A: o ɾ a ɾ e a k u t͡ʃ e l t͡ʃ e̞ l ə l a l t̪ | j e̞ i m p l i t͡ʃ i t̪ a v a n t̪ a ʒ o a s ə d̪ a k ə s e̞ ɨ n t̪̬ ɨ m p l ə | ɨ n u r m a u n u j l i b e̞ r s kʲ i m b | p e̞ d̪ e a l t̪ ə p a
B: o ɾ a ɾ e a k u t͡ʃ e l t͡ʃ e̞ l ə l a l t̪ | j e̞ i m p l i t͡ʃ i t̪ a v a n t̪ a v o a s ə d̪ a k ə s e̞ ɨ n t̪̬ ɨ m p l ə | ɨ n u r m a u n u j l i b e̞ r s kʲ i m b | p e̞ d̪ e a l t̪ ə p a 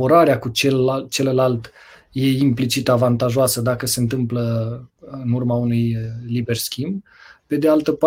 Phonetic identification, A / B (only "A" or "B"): A